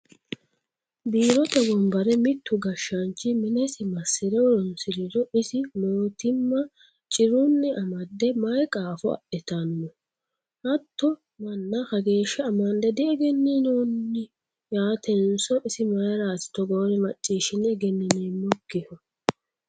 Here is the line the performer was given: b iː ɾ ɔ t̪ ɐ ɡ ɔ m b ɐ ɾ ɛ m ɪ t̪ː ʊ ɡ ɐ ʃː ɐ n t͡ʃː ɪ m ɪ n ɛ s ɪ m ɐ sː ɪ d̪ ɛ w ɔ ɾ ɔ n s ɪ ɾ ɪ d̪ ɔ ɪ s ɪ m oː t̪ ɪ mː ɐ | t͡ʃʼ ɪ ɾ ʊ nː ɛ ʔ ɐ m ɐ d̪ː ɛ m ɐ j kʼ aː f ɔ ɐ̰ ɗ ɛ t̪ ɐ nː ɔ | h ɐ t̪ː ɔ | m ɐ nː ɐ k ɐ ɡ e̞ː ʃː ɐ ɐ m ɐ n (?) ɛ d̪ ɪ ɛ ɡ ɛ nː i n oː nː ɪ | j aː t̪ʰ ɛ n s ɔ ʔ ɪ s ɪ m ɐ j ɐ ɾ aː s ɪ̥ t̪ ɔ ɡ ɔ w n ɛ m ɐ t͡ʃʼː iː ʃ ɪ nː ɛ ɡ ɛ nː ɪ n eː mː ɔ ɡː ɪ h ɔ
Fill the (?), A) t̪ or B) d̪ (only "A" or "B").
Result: B